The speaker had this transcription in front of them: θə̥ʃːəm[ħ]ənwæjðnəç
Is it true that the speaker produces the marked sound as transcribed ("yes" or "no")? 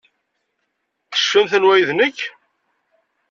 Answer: no